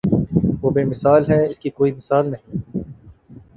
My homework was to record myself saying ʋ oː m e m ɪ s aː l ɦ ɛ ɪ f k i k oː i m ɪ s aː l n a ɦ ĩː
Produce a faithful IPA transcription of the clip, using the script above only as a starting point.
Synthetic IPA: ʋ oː b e m ɪ s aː l ɦ ɛ ɪ s k i k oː i m ɪ s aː l n ɐ ɦ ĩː

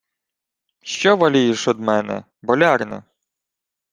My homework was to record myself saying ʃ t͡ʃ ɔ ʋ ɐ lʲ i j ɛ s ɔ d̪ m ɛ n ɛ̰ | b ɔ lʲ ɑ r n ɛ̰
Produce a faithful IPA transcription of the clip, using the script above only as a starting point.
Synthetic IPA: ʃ t͡ʃ ɔ ʋ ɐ lʲ i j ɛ ʃ ɔ d̪ m ɛ n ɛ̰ | b ɔ lʲ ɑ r n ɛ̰

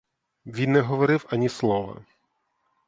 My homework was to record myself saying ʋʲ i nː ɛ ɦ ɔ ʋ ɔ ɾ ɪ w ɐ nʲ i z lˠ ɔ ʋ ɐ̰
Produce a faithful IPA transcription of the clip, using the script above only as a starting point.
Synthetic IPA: ʋʲ i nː ɛ ɦ ɔ ʋ ɔ ɾ ɪ w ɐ nʲ i s lˠ ɔ ʋ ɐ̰

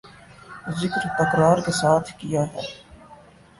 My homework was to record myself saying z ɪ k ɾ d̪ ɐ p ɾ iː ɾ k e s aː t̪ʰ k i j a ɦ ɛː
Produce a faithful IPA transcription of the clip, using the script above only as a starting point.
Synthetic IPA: z ɪ k ɾ t̪ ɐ k ɾ aː ɾ k e s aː t̪ʰ k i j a ɦ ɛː

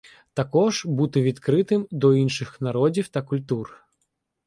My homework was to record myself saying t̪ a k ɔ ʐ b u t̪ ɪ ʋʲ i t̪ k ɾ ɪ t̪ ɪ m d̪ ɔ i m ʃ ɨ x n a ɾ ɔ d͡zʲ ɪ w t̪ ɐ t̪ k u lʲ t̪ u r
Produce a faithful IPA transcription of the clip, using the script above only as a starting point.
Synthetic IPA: t̪ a k ɔ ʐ b u t̪ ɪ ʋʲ i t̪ k ɾ ɪ t̪ ɪ m d̪ ɔ i n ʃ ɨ x n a ɾ ɔ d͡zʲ i w t̪ ɐ k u lʲ t̪ u r

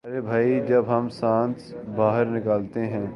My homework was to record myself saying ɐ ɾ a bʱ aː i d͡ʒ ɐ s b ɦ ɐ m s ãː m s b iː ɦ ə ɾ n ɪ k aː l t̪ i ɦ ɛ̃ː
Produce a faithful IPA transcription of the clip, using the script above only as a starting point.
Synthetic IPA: ɐ ɾ e bʱ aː i d͡ʒ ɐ b ɦ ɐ m s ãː n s b aː ɦ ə ɾ n ɪ k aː l t̪ e ɦ ɛ̃ː

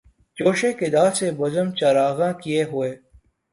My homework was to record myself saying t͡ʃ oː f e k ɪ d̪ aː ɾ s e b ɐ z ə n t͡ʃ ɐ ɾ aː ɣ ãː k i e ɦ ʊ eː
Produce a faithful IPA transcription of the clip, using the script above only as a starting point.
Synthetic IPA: t͡ʃ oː ʃ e k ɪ d̪ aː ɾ s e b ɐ z ə m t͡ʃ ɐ ɾ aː ɣ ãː k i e ɦ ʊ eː

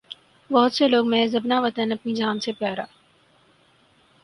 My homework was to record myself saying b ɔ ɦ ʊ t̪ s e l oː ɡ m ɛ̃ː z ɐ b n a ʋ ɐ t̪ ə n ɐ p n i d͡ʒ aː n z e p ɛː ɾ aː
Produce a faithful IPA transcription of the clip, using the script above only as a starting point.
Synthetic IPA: b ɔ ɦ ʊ t̪ s e l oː ɡ m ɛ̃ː z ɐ b n a ʋ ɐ t̪ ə n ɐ p n i d͡ʒ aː n s e p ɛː ɾ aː

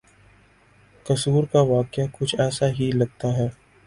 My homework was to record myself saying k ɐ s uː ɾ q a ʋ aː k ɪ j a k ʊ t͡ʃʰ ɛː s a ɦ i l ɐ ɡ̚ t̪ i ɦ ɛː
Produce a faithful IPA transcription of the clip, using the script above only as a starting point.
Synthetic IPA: k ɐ s uː ɾ k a ʋ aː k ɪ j a k ʊ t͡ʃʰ ɛː s a ɦ i l ɐ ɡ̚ t̪ a ɦ ɛː

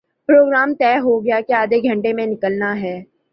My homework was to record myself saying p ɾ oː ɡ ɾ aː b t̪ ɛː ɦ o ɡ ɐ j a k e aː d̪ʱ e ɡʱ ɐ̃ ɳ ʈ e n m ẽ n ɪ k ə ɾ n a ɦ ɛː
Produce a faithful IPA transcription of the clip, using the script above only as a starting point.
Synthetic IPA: p ɾ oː ɡ ɾ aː m t̪ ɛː ɦ o ɡ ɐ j a k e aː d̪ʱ e ɡʱ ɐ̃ ɳ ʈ e m ẽ n ɪ k ə l n a ɦ ɛː

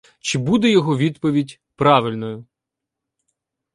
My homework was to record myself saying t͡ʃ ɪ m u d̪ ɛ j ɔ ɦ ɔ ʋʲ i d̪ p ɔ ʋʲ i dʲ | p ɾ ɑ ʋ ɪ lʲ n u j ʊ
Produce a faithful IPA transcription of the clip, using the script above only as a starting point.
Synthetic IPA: t͡ʃ ɪ b u d̪ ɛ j ɔ ɦ ɔ ʋʲ i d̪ p ɔ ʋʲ i dʲ | p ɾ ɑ ʋ ɪ lʲ n ɔ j ʊ

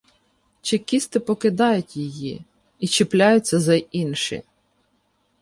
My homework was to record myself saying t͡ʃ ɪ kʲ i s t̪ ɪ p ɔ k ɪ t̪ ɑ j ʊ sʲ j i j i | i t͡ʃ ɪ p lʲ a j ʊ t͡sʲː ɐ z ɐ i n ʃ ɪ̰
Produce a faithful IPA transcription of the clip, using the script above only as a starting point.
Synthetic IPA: t͡ʃ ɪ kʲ i s t̪ ɪ p ɔ k ɪ d̪ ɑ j ʊ tʲ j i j i | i t͡ʃ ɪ p lʲ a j ʊ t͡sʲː ɐ z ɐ i n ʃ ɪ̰

